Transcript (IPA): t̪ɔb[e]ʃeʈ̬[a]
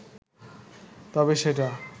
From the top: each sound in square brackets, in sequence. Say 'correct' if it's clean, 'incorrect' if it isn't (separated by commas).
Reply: correct, correct